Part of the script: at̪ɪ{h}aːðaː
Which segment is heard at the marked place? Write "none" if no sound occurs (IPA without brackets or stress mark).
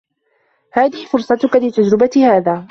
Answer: h